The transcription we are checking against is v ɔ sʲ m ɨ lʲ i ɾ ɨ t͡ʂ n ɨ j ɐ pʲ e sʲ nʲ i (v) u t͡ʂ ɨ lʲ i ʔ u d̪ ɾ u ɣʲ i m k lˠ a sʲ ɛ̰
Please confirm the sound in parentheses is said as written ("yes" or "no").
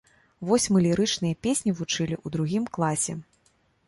yes